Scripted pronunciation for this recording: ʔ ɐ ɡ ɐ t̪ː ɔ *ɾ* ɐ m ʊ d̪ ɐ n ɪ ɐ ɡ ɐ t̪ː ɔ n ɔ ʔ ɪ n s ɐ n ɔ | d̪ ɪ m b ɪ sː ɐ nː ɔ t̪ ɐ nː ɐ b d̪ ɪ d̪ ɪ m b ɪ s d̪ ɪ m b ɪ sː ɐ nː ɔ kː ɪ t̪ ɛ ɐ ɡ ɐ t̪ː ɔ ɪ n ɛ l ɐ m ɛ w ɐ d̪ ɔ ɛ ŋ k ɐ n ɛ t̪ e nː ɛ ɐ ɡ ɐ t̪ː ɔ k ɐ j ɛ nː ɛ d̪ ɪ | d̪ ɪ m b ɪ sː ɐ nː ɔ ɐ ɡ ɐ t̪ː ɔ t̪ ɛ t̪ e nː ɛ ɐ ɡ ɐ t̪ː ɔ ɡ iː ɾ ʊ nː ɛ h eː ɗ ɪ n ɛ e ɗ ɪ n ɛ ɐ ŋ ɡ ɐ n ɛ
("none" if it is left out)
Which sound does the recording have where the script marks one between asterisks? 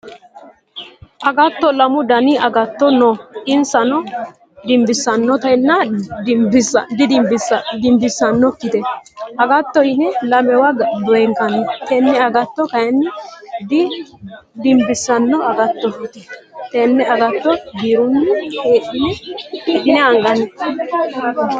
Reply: l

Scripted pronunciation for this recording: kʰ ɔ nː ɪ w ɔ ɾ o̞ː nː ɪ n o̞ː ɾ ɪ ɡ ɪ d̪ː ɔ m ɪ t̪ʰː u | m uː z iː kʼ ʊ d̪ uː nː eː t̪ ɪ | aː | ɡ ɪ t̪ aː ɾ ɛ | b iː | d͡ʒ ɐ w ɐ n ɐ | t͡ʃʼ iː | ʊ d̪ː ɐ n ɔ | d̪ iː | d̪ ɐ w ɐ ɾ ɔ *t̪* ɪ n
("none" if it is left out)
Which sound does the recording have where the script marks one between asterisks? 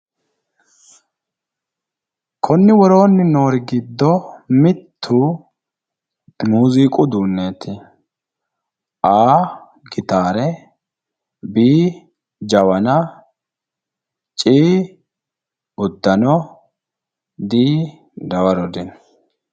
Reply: d̪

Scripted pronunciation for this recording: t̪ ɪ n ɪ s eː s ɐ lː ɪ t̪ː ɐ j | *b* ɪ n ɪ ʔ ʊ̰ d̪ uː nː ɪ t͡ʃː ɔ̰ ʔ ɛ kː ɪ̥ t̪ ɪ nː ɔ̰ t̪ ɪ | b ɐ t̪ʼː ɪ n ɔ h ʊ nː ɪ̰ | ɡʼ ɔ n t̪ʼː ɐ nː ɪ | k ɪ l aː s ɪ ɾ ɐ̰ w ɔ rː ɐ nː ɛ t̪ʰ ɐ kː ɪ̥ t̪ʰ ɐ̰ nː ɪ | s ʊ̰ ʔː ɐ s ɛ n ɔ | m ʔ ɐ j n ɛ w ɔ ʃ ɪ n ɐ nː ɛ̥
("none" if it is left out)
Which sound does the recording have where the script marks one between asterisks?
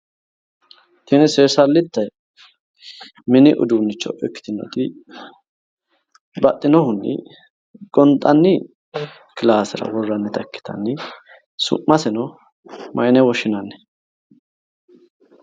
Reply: m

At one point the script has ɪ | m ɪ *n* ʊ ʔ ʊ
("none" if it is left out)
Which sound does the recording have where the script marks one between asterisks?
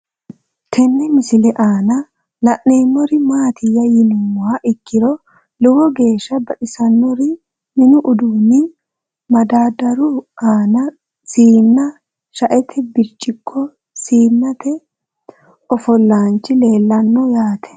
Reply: n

